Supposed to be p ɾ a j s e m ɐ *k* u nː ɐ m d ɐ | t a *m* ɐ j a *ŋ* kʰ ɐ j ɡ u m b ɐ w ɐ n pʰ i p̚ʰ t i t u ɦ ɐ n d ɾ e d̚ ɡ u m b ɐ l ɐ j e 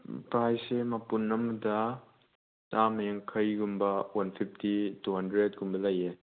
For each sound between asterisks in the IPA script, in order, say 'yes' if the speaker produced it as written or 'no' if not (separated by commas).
no, yes, yes